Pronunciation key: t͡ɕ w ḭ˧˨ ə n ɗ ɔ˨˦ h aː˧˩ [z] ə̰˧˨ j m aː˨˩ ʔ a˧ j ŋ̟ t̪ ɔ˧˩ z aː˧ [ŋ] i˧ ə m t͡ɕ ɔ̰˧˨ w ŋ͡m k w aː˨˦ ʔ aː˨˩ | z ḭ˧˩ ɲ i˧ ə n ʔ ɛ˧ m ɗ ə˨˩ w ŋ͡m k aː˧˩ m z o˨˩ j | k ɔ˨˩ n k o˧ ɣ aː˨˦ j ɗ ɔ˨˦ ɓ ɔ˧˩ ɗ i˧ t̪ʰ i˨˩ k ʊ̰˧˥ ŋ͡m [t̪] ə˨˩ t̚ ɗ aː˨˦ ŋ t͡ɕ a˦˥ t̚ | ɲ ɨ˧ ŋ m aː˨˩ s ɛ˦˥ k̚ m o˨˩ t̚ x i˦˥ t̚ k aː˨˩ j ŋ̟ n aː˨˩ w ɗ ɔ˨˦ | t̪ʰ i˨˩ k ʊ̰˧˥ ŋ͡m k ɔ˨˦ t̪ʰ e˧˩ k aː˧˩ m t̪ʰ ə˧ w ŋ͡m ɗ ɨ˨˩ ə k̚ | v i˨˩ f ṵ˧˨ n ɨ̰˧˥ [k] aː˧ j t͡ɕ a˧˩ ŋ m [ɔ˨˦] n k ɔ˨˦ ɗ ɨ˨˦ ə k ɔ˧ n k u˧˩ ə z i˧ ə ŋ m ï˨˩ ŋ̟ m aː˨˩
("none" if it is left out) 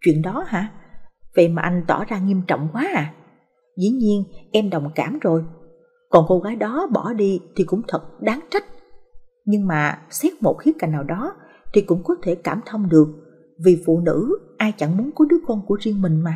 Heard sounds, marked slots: v, ŋ, t̪ʰ, ʔ, u˨˦

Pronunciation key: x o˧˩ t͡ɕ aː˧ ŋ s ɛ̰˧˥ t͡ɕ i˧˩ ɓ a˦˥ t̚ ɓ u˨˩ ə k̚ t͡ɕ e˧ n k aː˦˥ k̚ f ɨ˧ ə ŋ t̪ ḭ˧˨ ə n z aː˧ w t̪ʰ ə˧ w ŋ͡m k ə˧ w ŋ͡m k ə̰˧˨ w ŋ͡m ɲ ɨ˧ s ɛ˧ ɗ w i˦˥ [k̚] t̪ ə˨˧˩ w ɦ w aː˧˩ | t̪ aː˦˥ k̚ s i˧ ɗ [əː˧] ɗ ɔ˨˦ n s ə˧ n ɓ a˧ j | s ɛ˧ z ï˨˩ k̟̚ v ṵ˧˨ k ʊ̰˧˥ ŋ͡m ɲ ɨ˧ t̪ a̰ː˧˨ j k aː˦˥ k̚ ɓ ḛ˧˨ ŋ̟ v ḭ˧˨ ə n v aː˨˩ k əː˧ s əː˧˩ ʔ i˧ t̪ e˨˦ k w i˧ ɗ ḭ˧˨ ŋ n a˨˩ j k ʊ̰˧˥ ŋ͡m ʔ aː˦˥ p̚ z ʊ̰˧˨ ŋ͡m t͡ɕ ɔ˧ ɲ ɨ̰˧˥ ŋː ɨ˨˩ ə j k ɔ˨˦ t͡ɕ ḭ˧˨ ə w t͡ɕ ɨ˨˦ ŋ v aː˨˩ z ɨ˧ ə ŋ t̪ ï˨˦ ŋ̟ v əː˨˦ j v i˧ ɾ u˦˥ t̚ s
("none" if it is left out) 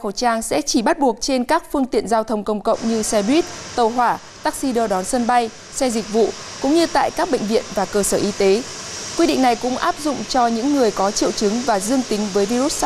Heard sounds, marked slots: t̚, əː˧

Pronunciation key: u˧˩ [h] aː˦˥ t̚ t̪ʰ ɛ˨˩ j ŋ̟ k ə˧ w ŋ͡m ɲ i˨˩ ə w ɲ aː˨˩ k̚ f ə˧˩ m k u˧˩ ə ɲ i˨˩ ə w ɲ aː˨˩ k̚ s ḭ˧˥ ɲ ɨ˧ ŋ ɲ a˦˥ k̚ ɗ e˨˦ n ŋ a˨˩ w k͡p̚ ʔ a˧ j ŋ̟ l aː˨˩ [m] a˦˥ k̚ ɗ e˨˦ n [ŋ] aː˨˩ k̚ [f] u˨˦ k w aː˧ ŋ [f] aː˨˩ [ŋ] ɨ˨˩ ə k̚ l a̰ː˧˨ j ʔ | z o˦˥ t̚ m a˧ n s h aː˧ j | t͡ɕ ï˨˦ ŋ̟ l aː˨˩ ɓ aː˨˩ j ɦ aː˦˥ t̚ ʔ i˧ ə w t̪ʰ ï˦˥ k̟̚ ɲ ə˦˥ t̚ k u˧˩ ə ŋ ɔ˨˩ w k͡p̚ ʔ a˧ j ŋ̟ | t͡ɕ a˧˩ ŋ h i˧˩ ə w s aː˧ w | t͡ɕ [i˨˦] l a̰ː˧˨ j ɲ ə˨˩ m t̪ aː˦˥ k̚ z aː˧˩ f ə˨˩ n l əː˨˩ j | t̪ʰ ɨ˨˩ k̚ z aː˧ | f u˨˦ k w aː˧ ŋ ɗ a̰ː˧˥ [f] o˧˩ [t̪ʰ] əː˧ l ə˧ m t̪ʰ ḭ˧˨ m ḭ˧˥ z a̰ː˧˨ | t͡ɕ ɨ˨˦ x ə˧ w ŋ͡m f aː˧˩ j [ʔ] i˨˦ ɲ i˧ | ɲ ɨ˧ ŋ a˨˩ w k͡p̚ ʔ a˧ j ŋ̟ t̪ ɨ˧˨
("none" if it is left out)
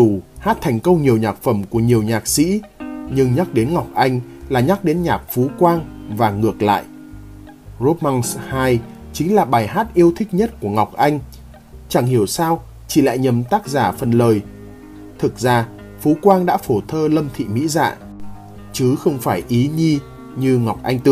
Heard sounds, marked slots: h, ɲ, ɲ, f, v, ŋ, i˧˩, f, t̪ʰ, ʔ

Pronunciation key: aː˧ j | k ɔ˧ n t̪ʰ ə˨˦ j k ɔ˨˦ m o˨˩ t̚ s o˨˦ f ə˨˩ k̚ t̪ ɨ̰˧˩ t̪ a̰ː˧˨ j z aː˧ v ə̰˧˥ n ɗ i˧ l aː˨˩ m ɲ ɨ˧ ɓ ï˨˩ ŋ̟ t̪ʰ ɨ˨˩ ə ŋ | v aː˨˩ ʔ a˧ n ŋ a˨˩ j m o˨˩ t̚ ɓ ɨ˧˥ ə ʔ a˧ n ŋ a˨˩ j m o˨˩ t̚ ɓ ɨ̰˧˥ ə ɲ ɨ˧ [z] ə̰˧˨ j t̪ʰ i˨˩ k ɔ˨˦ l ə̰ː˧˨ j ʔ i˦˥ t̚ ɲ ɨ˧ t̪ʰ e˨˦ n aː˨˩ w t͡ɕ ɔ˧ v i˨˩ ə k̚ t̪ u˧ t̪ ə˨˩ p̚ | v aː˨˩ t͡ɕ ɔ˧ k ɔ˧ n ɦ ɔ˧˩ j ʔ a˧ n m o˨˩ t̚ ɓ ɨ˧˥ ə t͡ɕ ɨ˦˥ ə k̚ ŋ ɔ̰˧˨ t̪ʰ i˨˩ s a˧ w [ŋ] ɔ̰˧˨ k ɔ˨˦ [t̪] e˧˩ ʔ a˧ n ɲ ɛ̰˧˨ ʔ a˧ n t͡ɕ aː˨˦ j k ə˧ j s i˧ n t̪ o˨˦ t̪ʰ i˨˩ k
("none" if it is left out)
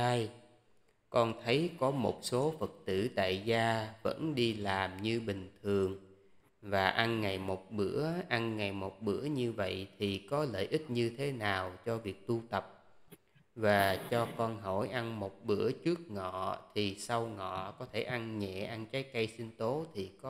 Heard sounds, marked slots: v, ŋ, t̪ʰ

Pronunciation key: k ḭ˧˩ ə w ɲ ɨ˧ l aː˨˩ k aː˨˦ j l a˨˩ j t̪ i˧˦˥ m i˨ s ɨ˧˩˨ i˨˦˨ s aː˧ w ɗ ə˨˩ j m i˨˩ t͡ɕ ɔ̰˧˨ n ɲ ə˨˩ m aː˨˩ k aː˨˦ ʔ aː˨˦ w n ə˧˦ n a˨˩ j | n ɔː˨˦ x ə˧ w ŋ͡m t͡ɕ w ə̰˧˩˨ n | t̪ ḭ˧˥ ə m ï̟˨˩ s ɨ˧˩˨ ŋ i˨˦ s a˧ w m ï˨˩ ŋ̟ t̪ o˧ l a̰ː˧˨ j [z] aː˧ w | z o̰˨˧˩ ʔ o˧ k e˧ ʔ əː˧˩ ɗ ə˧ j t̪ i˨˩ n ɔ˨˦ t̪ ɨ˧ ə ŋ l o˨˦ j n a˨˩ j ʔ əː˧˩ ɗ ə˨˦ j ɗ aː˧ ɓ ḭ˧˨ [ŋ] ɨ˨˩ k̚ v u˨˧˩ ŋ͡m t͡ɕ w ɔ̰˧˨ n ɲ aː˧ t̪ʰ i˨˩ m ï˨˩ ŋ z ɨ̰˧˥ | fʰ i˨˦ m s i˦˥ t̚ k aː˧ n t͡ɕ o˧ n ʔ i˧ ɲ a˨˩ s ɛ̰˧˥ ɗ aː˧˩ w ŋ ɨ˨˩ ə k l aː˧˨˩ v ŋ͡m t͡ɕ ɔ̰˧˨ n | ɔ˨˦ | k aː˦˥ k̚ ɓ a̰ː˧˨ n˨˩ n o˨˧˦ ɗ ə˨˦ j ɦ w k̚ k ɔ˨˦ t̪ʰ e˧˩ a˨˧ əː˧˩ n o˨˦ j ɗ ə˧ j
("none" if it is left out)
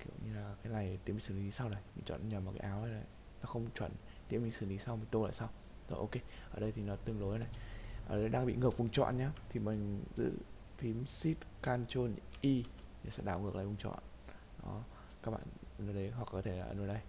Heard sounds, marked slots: s, ŋ

